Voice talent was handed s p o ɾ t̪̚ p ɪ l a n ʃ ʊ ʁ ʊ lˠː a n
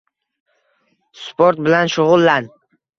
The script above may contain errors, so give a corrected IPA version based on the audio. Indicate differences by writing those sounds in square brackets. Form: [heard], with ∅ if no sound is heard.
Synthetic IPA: s p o ɾ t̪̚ [b] ɪ l a n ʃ ʊ ʁ ʊ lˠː a n